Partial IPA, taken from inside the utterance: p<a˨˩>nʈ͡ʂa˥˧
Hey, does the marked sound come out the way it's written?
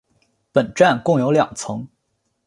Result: no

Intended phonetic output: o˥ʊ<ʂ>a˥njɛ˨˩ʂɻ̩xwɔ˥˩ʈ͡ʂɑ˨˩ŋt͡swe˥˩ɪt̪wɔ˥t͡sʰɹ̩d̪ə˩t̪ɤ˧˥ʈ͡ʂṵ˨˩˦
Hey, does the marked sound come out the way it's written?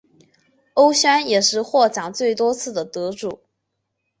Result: no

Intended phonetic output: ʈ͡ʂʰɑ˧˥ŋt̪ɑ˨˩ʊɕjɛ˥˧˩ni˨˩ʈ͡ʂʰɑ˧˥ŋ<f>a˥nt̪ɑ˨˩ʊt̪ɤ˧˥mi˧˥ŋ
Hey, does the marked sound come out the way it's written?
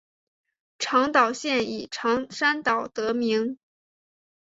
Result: no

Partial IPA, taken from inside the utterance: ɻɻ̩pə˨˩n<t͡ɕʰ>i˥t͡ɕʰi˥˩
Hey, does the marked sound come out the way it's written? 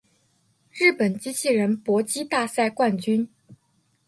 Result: no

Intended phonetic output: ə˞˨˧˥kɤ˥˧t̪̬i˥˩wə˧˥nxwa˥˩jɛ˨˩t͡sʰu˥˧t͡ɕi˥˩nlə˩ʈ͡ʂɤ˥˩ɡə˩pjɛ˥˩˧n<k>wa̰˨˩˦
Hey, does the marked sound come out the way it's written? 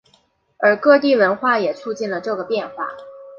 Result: no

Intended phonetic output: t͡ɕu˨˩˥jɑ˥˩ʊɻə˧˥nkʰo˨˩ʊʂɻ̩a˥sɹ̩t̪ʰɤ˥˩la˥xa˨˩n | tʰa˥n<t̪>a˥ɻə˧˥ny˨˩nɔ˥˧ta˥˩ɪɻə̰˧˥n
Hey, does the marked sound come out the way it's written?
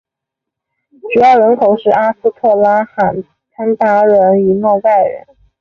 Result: yes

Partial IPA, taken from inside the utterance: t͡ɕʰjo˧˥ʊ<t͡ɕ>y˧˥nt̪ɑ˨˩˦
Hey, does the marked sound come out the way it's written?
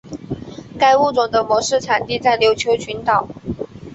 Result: no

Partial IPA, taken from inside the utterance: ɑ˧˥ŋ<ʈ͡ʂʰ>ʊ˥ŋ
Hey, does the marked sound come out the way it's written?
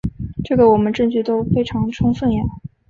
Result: yes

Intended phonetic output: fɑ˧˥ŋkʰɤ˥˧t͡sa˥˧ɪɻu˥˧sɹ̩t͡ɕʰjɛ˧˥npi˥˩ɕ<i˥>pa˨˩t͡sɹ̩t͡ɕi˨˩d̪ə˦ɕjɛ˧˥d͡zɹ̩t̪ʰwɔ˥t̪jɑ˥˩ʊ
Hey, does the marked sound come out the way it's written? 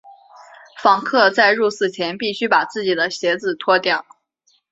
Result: no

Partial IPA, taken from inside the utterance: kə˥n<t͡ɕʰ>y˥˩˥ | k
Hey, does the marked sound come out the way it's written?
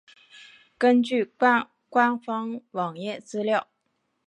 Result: no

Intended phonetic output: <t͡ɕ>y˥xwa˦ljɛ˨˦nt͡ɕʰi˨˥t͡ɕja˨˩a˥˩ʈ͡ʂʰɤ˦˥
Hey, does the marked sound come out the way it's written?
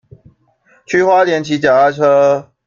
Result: no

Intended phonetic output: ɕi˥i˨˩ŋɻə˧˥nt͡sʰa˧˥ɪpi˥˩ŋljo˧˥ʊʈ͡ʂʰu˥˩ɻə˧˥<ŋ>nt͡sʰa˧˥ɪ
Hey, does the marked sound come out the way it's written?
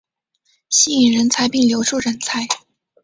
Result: no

